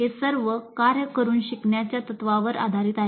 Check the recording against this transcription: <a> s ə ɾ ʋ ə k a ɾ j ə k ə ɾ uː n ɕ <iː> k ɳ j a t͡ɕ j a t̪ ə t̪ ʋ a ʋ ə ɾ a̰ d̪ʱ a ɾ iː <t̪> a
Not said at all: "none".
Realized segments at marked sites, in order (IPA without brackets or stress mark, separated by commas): e, i, t̪